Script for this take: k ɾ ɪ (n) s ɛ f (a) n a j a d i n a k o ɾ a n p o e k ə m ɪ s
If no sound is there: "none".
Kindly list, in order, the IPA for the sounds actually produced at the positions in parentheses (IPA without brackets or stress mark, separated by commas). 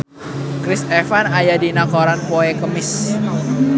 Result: none, a